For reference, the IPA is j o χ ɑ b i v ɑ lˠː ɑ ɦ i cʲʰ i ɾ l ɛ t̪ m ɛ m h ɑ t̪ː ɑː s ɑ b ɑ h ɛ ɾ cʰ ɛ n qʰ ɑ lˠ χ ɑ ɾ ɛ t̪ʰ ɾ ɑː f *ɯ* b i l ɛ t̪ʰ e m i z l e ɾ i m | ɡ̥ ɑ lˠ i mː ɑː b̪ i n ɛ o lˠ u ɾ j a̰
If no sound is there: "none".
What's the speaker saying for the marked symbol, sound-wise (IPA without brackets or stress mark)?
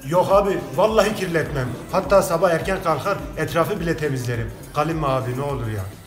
ɯ